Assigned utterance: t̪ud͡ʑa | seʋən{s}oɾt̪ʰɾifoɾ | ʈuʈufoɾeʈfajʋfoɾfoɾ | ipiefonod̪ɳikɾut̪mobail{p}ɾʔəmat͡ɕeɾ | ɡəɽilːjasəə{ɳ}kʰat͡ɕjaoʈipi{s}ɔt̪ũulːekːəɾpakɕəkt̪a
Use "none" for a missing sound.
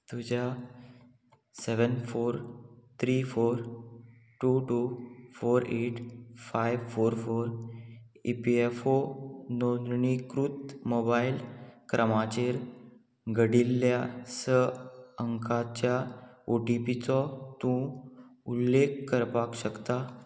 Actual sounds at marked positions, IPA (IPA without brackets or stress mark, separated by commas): f, k, ŋ, t͡s